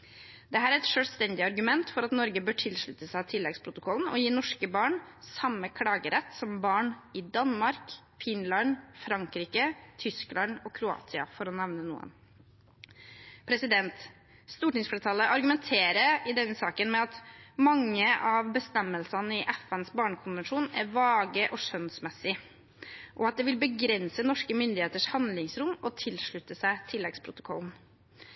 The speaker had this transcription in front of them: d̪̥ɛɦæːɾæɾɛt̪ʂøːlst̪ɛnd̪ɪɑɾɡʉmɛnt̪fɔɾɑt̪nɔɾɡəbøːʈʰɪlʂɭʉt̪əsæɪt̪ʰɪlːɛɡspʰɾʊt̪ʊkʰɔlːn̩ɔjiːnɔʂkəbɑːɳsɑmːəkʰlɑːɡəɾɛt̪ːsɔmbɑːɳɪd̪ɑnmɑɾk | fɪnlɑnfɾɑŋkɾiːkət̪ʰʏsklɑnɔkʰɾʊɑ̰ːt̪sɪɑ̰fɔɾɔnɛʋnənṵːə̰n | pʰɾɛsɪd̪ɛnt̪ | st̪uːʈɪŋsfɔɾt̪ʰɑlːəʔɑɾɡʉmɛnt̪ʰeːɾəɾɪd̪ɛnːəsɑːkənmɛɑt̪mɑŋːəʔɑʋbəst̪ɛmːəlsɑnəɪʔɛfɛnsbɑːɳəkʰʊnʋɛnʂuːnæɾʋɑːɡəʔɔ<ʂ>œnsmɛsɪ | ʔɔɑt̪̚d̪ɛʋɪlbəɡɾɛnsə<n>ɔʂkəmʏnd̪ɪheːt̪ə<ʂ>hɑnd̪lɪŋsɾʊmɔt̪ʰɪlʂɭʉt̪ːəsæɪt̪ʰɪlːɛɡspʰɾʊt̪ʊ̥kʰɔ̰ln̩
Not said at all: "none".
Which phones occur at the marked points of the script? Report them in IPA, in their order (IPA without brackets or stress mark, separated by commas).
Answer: ʂ, n, ʂ